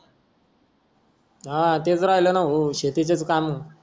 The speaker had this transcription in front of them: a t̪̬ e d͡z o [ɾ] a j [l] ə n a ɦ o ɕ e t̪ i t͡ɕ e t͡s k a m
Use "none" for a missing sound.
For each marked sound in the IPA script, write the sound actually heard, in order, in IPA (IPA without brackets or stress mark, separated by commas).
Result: ɾ, l